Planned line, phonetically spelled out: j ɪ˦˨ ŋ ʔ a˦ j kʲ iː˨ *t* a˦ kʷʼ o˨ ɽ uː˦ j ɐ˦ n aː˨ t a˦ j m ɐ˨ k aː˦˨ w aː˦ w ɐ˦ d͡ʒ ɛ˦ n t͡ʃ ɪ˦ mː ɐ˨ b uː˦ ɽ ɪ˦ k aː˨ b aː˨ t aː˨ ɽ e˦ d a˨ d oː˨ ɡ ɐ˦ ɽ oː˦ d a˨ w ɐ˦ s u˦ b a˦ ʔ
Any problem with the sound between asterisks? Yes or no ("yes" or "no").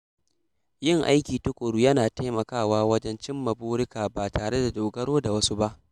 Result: no